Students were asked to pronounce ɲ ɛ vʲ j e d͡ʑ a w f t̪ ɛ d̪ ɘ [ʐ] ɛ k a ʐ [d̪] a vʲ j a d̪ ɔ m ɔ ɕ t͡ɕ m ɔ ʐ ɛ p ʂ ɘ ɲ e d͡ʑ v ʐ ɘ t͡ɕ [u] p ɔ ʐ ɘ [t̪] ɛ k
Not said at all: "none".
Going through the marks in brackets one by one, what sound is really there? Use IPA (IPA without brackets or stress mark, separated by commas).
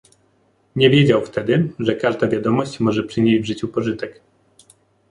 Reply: ʐ, d̪, u, t̪